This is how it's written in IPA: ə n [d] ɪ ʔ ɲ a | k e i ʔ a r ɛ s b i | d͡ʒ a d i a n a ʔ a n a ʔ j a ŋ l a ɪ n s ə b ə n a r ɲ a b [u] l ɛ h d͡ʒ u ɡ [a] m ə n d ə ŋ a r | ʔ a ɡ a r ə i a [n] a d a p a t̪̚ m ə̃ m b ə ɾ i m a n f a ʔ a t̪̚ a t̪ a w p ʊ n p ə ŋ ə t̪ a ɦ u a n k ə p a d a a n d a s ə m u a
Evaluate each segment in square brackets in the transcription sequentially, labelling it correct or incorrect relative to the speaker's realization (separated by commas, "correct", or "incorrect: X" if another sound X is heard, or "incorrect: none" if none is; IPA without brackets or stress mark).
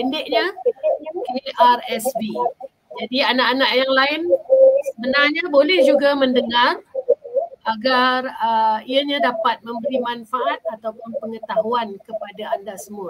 correct, incorrect: o, correct, incorrect: ɲ